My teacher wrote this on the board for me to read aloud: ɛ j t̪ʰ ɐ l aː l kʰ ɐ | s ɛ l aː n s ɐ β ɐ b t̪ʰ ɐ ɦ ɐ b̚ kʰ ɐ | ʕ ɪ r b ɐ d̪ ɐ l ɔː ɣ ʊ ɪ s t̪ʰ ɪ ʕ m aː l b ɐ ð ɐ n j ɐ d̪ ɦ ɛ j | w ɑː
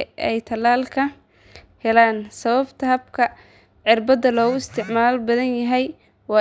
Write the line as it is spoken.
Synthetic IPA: ɛ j t̪ʰ ɐ l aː l kʰ ɐ | h ɛ l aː n s ɐ β ɐ b t̪ʰ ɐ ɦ ɐ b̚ kʰ ɐ | ʕ ɪ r b ɐ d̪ ɐ l ɔː ɣ ʊ ɪ s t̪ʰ ɪ ʕ m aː l b ɐ ð ɐ n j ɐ ɦ ɛ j | w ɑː